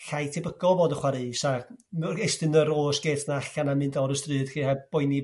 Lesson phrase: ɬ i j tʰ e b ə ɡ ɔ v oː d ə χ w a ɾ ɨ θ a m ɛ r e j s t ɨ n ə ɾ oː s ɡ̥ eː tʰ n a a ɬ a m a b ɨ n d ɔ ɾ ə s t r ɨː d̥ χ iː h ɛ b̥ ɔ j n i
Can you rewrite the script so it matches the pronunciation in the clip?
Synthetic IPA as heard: ɬ a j tʰ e b ə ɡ ɔ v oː d ə χ w a ɾ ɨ s a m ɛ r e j s t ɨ n ə ɾ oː s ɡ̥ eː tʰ n a a ɬ a n a m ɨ n d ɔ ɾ ə s t r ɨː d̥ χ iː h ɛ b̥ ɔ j n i